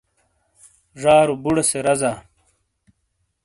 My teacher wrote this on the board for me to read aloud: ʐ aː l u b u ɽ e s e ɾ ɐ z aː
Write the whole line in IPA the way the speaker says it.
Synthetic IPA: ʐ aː ɾ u b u ɽ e s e ɾ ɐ z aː